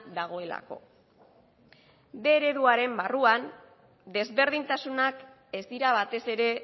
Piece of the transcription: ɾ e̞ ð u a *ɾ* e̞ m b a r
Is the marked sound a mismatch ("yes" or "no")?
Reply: no